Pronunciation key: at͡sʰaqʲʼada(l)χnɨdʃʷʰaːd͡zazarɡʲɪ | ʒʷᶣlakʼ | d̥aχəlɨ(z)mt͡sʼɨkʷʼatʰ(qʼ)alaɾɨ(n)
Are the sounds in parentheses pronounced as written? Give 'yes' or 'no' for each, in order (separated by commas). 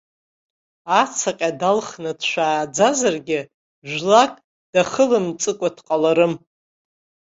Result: yes, no, yes, no